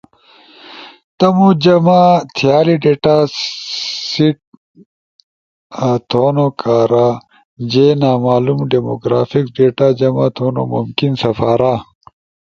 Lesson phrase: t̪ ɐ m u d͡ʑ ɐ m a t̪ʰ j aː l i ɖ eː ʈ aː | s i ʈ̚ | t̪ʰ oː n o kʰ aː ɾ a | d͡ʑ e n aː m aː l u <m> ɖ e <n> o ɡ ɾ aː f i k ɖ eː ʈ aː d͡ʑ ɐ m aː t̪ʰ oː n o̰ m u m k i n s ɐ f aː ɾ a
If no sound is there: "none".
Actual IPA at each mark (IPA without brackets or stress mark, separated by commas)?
m, m